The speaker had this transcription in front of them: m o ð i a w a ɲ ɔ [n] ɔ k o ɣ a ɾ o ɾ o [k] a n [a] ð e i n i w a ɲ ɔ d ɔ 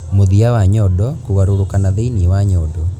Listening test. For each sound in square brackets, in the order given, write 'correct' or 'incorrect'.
incorrect: d, correct, correct

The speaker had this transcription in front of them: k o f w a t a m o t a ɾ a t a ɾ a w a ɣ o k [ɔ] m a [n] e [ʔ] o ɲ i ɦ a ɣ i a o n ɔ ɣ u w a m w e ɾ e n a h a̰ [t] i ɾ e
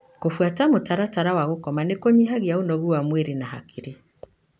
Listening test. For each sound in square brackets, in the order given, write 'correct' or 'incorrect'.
correct, correct, incorrect: k, incorrect: k

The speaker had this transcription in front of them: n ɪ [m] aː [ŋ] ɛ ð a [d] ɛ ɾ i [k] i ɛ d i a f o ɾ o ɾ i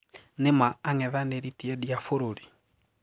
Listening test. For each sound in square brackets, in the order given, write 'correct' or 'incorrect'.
correct, correct, incorrect: n, incorrect: t

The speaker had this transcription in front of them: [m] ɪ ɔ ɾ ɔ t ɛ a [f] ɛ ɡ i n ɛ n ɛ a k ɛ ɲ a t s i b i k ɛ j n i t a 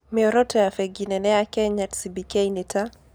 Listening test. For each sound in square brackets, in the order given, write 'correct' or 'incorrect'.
correct, correct

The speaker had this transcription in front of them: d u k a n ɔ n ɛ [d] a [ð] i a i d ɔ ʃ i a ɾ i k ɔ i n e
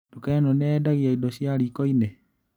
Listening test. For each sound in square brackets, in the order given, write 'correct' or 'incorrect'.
correct, incorrect: ɣ

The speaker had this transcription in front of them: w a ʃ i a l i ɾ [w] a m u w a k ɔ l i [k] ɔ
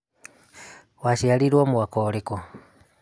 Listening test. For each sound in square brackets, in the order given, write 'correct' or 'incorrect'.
correct, correct

